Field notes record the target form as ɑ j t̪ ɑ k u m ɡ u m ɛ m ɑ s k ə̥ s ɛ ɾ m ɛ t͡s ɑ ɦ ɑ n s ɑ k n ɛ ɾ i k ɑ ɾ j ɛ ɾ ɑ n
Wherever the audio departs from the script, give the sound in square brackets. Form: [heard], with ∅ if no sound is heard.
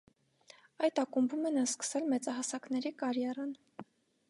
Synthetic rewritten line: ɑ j t̪ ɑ k u m [b] u m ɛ [n] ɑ s k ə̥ s ɛ [l] m ɛ t͡s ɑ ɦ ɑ [∅] s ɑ k n ɛ ɾ i k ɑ ɾ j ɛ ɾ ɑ n